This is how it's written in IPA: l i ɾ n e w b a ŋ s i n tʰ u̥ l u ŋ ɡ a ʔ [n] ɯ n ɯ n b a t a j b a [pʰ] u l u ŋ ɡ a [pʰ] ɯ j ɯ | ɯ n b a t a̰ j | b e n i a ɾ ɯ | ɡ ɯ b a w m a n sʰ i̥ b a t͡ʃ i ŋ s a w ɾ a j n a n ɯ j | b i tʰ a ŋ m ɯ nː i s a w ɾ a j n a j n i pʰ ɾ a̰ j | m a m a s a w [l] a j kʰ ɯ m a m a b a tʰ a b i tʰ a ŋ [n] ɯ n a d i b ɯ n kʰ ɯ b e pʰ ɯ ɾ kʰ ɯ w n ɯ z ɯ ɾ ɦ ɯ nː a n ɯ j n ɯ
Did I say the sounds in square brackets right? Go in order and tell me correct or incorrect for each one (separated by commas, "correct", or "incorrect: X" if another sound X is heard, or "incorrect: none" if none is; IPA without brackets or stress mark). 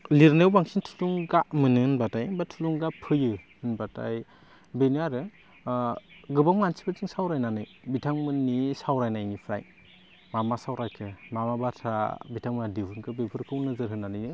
incorrect: m, incorrect: tʰ, correct, incorrect: ɾ, incorrect: m